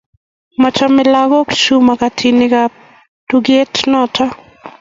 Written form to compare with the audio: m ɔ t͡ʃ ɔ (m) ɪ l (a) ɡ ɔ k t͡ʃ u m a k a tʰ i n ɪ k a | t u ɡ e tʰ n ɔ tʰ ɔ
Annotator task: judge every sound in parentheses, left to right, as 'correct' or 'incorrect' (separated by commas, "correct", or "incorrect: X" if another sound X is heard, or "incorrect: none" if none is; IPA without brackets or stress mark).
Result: correct, correct